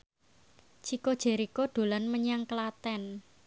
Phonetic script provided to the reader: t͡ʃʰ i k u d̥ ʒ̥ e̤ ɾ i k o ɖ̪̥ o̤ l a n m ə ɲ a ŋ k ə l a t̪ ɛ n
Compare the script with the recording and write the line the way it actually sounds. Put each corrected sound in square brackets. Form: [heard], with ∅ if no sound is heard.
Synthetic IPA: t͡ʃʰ i k [o] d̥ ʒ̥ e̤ ɾ i k o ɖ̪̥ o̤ l a n m ə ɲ a ŋ k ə l a t̪ ɛ n